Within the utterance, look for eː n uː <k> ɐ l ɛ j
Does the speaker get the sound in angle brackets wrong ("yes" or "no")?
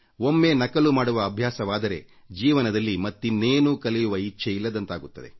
no